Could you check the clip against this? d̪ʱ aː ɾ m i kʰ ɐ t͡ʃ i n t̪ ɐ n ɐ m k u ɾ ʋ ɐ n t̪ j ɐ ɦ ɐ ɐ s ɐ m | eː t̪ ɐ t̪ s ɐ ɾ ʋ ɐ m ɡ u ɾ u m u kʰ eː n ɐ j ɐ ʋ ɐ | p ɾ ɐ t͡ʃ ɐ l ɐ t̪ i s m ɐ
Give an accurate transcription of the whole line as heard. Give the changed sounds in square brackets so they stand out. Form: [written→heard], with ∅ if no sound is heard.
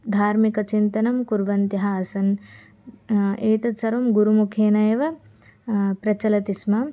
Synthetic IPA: d̪ʱ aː ɾ m i [kʰ→k] ɐ t͡ʃ i n t̪ ɐ n ɐ m k u ɾ ʋ ɐ n t̪ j ɐ ɦ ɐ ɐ s ɐ [m→n] | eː t̪ ɐ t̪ s ɐ ɾ ʋ ɐ m ɡ u ɾ u m u kʰ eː n ɐ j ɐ ʋ ɐ | p ɾ ɐ t͡ʃ ɐ l ɐ t̪ i s m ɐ